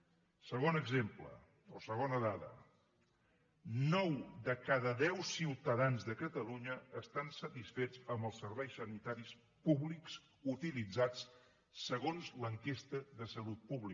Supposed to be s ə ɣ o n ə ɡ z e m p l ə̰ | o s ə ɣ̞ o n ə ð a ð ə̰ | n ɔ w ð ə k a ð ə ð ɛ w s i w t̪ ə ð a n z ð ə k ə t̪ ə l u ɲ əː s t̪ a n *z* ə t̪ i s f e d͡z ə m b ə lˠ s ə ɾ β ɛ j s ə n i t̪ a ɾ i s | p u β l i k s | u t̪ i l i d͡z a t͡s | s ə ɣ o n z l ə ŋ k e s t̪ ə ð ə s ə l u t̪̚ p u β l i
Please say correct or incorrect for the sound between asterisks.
incorrect: s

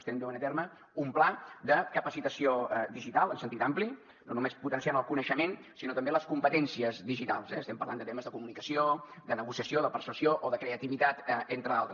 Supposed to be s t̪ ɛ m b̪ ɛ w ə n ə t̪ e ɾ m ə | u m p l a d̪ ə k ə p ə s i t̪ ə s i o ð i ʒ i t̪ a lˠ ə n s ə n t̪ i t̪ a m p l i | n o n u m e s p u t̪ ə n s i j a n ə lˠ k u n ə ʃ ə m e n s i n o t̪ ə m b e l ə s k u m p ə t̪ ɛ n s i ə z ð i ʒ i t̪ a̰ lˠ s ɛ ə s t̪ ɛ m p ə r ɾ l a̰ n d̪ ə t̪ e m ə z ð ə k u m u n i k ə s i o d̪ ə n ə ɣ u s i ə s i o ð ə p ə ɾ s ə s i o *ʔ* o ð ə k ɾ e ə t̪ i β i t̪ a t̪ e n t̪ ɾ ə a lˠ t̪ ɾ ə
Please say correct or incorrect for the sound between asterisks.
correct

